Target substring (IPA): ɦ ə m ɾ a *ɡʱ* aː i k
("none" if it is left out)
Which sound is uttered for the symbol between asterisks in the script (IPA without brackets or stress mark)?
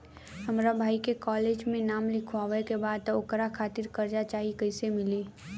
bʱ